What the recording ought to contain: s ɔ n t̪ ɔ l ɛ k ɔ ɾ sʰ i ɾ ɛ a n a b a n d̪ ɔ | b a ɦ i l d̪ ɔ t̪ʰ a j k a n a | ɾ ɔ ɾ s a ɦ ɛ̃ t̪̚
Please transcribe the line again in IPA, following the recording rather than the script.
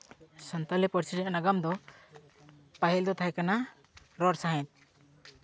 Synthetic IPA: s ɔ n t̪ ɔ l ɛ p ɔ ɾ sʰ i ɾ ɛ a n a ɡ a m d̪ ɔ | p a ɦ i l d̪ ɔ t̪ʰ a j k a n a | ɾ ɔ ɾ s a ɦ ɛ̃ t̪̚